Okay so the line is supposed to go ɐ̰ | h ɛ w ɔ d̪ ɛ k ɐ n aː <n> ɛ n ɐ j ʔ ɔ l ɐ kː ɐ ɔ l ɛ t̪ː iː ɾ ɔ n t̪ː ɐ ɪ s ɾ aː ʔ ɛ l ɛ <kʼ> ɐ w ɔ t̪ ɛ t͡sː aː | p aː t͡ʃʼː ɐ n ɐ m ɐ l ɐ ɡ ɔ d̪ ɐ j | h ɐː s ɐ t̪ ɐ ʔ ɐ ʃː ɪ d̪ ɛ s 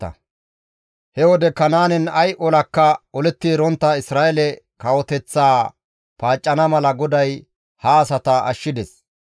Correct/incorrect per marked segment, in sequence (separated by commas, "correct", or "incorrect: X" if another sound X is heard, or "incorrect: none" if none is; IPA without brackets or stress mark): correct, incorrect: k